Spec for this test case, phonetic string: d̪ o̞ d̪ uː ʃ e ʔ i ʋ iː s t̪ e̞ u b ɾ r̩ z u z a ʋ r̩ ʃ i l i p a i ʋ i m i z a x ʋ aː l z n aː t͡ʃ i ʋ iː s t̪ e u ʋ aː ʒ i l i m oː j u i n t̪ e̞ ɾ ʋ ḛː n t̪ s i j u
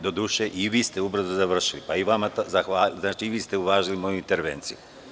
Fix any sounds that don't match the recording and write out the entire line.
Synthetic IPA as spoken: d̪ o̞ d̪ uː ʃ e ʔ i ʋ iː s t̪ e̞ u b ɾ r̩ z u z a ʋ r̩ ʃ i l i p a i ʋ a m a z a x ʋ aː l z n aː t͡ʃ i ʋ iː s t̪ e u ʋ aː ʒ i l i m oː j u i n t̪ e̞ ɾ ʋ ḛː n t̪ s i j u